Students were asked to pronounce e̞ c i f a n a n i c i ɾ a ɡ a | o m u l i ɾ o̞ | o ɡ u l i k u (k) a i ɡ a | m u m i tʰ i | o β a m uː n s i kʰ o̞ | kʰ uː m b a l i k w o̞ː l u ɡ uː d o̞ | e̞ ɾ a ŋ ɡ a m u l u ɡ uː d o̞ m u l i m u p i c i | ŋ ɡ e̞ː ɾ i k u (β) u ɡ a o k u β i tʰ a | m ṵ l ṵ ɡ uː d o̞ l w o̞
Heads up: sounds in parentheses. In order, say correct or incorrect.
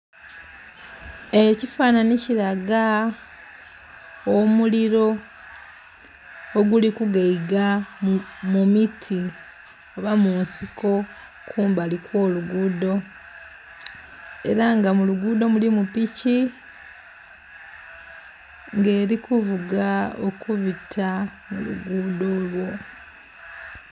incorrect: ɡ, incorrect: v

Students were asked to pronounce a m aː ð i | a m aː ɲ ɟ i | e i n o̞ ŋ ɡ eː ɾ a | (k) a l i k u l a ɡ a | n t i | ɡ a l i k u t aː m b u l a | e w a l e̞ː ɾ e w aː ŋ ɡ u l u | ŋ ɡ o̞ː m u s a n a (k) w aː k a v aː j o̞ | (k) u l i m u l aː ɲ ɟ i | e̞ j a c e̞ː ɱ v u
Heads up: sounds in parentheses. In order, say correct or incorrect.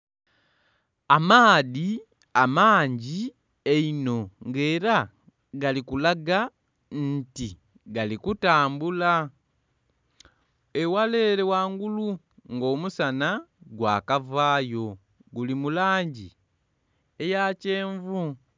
incorrect: ɡ, incorrect: ɡ, incorrect: ɡ

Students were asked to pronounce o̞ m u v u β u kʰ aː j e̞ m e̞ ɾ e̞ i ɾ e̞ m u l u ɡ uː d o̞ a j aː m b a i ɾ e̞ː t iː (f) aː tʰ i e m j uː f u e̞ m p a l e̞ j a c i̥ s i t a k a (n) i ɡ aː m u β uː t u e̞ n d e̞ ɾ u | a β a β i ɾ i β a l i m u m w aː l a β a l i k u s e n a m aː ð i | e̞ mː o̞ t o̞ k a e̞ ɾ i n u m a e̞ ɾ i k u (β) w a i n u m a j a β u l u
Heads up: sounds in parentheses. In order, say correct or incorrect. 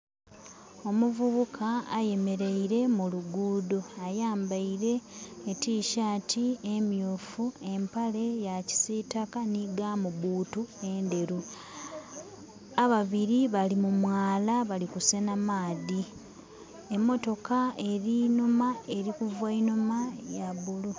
incorrect: ʃ, correct, incorrect: v

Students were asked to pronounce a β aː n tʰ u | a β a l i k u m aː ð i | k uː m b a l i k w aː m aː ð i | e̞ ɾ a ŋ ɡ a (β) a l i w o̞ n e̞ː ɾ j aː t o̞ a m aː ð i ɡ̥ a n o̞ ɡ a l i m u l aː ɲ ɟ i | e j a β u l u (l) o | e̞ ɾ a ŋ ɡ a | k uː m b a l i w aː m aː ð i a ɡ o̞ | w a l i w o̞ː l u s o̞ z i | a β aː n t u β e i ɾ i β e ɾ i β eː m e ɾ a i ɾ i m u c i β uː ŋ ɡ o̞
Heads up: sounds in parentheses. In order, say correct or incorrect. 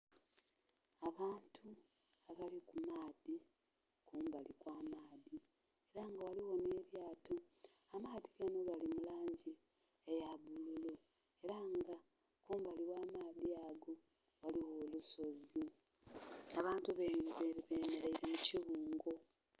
incorrect: w, correct

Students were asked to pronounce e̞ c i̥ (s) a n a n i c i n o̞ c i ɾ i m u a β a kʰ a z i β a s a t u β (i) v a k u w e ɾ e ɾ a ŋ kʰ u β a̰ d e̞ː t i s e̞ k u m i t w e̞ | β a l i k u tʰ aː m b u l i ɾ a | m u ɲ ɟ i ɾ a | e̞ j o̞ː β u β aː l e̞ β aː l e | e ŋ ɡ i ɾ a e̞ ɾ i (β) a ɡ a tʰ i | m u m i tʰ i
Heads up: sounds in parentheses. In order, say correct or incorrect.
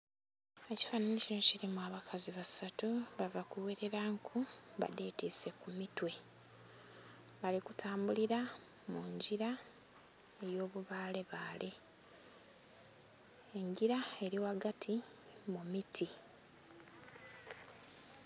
incorrect: f, incorrect: a, incorrect: w

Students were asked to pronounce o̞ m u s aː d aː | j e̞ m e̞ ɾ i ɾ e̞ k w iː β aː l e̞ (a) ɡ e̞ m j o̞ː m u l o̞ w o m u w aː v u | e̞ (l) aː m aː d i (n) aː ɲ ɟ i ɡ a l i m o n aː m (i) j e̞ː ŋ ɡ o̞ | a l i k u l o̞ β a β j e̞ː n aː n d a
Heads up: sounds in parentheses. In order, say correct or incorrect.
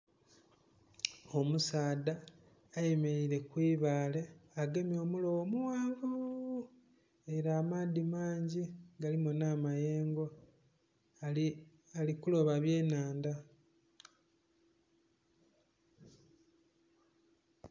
correct, incorrect: ɾ, incorrect: m, incorrect: a

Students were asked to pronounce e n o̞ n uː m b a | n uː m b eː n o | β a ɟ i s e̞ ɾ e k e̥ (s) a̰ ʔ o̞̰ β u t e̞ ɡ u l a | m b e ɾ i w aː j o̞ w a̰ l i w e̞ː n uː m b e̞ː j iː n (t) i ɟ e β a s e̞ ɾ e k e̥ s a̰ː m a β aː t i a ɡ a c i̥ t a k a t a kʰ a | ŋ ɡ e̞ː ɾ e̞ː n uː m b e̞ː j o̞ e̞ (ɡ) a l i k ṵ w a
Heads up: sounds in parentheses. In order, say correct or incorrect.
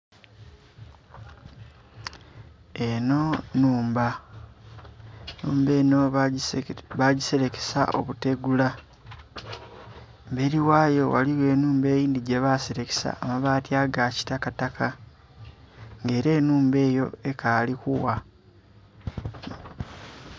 correct, incorrect: d, incorrect: k

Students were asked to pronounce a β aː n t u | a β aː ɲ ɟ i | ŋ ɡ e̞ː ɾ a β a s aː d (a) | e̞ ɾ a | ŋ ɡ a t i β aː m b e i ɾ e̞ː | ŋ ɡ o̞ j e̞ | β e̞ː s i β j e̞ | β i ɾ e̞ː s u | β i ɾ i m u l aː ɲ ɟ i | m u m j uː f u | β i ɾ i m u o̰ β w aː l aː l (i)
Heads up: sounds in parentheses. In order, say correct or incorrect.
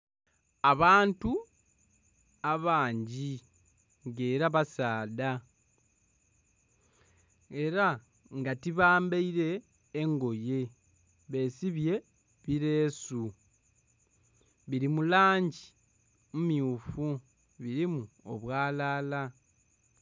correct, incorrect: a

